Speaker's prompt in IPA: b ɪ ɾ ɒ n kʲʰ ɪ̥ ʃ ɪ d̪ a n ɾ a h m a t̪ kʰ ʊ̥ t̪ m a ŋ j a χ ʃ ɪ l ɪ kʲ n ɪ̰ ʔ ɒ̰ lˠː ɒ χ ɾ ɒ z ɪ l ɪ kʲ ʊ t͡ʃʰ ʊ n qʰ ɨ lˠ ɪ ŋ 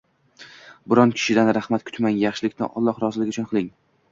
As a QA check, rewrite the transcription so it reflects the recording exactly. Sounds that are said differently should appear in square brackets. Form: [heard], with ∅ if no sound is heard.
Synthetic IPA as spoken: b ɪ ɾ ɒ n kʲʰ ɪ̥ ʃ ɪ d̪ a n ɾ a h m a t̪ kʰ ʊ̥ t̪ m a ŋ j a χ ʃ ɪ l ɪ kʲ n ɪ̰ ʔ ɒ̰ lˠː ɒ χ ɾ ɒ z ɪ l ɪ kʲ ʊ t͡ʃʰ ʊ n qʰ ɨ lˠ ɪ ŋ